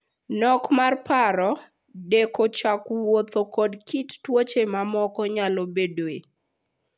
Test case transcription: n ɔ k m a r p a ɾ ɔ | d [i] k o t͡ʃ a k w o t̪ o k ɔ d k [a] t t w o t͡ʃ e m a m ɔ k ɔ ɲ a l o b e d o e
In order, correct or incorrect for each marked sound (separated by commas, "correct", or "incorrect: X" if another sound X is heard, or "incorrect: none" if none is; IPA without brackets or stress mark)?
incorrect: e, incorrect: i